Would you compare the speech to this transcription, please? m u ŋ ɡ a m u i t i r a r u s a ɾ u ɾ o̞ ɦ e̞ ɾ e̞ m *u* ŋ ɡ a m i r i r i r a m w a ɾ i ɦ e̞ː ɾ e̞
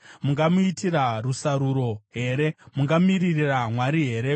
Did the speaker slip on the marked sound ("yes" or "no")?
no